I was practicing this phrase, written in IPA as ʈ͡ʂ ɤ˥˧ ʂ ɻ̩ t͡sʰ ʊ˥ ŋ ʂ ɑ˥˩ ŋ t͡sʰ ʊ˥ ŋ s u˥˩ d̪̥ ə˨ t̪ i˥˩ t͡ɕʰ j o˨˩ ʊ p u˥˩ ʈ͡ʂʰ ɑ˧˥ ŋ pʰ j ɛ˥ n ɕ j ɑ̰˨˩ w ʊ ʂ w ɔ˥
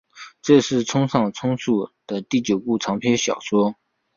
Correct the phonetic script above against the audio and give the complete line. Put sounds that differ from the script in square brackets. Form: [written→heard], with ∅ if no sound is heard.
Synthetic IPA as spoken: ʈ͡ʂ ɤ˥˧ ʂ ɻ̩ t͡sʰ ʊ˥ ŋ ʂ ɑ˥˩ ŋ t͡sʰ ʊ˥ ŋ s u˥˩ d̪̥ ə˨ t̪ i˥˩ [t͡ɕʰ→t͡ɕ] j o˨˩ ʊ p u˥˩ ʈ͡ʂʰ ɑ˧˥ ŋ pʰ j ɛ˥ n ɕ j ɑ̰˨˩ [w→∅] ʊ ʂ w ɔ˥